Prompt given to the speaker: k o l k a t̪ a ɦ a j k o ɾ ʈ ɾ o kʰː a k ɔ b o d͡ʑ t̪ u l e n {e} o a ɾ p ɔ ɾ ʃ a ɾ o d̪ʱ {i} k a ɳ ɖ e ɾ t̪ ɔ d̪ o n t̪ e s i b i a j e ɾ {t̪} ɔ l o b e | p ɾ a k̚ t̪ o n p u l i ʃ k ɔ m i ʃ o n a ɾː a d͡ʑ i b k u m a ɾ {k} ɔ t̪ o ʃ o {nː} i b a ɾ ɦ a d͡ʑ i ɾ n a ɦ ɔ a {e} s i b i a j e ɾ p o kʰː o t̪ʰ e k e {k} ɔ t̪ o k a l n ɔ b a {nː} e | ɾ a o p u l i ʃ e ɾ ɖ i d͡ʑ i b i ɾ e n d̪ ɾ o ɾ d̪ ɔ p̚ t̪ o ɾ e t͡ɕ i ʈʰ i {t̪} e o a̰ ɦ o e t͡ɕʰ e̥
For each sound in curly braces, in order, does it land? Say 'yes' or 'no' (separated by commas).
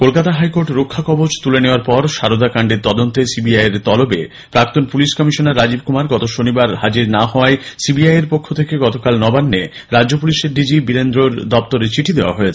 yes, no, yes, no, no, yes, no, yes, no